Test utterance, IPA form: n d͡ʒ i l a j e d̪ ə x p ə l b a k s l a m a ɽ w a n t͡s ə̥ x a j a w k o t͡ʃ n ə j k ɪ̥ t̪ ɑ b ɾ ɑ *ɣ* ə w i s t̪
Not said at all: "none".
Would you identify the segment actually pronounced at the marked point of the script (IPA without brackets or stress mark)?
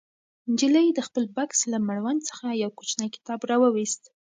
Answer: w